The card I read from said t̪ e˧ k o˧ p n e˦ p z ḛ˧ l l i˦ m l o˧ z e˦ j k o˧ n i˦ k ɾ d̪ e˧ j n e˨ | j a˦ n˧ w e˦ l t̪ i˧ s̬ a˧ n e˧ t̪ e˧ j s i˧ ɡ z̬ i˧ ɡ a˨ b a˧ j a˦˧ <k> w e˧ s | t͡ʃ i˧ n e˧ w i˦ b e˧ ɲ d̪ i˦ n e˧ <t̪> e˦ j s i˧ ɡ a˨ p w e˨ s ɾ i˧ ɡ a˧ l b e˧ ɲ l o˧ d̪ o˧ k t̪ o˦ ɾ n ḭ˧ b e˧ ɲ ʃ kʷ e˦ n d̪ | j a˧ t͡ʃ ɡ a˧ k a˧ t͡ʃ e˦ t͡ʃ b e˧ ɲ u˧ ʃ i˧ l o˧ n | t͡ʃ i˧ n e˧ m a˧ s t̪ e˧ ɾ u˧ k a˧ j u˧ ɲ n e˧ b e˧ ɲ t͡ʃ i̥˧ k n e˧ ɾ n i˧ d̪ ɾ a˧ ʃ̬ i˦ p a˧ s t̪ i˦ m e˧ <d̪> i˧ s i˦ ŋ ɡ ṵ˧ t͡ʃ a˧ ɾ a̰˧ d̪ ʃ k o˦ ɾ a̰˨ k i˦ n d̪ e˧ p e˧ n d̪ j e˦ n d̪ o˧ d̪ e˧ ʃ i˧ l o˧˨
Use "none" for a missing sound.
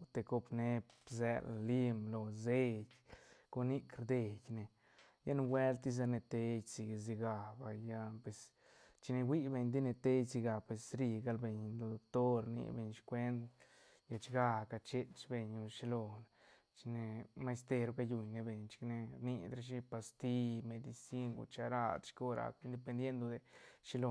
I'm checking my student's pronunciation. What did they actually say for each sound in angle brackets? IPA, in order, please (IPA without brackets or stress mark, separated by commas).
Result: p, t̪, d̪